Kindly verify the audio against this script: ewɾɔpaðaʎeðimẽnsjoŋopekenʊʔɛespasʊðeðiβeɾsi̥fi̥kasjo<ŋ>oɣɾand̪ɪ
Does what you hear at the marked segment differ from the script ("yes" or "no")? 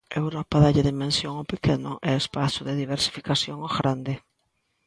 no